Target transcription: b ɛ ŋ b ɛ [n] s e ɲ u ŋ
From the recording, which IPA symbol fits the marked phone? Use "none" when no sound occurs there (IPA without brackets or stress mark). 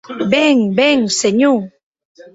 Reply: ŋ